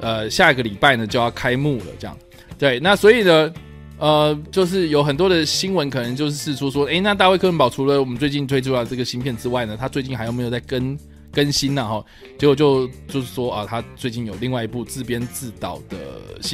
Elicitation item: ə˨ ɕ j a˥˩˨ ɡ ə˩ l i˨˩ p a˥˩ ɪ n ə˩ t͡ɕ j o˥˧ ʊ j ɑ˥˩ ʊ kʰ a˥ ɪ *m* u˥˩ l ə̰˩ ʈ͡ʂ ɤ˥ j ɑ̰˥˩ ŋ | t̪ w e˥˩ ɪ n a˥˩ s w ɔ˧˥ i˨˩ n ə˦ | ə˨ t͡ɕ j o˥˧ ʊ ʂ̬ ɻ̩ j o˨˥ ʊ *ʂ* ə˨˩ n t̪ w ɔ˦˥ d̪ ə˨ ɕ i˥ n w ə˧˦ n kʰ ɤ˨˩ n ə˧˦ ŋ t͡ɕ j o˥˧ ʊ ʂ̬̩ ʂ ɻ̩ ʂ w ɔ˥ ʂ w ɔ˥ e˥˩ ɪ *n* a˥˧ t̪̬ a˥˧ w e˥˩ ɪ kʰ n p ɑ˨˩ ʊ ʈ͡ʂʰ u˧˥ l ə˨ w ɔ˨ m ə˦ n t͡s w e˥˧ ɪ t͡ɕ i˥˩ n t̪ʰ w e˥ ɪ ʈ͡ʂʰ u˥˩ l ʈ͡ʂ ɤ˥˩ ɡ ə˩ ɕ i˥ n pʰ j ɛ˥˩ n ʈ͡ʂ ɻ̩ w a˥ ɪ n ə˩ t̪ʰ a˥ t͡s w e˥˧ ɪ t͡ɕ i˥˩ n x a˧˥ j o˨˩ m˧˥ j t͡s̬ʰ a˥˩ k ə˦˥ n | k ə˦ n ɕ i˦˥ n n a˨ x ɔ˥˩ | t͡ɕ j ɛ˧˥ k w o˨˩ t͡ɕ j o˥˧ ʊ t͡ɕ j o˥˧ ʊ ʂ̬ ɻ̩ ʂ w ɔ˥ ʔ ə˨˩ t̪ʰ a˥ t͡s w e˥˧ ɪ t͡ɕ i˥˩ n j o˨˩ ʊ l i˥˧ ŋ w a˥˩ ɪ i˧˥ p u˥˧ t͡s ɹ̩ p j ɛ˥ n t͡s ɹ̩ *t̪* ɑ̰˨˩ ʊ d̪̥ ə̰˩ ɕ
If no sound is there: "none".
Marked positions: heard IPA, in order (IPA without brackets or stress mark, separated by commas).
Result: m, x, n, t̪